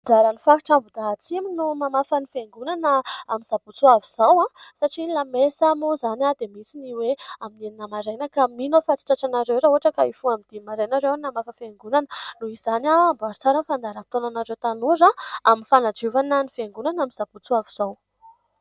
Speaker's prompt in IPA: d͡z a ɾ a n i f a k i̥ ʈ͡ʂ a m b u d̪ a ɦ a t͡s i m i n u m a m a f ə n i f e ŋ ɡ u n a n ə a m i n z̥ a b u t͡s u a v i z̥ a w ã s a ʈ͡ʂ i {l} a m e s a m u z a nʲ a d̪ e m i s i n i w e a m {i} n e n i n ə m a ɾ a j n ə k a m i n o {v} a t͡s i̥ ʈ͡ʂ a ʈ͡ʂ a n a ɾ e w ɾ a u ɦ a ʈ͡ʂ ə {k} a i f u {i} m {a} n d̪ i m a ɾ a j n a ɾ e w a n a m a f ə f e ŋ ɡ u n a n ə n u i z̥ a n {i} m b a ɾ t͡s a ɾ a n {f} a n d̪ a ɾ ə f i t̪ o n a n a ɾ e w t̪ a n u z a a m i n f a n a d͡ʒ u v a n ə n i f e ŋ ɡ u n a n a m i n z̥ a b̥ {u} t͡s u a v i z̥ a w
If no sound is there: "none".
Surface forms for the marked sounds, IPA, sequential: l, i, f, k, a, i, a, f, u

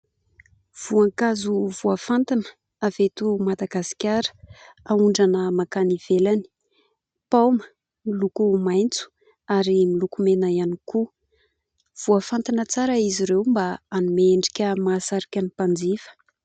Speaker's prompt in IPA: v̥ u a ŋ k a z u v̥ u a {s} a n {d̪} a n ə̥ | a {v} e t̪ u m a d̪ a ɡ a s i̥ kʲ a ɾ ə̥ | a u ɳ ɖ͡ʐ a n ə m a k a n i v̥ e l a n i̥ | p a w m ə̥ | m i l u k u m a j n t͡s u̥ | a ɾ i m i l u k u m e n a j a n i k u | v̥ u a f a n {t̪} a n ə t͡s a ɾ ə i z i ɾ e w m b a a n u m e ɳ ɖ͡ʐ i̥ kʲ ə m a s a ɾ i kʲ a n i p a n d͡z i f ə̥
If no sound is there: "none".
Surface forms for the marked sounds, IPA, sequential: f, t̪, v, t̪

